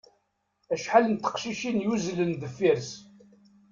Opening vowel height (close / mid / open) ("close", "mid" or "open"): open